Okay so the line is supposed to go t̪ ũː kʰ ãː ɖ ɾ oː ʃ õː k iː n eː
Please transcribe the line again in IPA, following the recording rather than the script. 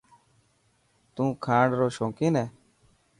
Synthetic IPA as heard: t̪ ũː kʰ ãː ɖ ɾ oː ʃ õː k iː n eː

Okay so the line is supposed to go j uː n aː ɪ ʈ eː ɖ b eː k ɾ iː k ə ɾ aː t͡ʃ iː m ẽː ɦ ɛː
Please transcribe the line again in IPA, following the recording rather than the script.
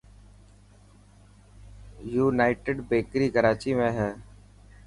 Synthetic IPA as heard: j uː n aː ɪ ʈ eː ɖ b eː k ɾ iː k ə ɾ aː t͡ʃ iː m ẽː ɦ ɛː

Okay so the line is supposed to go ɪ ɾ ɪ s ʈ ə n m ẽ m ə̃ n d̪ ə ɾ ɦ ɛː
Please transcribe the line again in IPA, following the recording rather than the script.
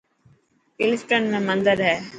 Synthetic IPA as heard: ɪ l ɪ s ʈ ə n m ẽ m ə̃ n d̪ ə ɾ ɦ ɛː

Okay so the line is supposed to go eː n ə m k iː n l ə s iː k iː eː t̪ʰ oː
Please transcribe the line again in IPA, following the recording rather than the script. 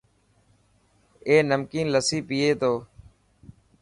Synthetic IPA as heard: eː n ə m k iː n l ə s iː p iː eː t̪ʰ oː

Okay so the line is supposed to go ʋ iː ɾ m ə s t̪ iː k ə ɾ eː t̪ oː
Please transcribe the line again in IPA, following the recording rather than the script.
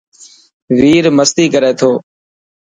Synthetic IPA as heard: ʋ iː ɾ m ə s t̪ iː k ə ɾ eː t̪ʰ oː

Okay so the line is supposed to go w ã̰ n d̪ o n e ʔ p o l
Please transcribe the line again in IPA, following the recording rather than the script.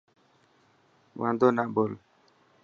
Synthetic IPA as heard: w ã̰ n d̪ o n a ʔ b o l

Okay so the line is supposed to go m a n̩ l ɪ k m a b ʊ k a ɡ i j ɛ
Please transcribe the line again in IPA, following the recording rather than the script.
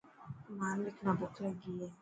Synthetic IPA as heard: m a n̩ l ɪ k n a b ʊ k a ɡ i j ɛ

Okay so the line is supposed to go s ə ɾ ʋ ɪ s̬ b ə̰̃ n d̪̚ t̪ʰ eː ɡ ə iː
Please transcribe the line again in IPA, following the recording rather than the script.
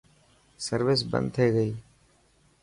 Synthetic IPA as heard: s ə ɾ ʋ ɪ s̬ b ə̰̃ n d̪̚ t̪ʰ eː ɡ ə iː

